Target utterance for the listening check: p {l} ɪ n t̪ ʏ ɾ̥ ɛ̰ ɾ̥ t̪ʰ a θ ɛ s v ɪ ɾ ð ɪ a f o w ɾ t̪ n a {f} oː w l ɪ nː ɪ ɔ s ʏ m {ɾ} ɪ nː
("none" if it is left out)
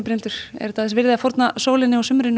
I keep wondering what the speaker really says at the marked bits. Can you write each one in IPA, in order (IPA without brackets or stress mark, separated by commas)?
ɾ, s, ɾ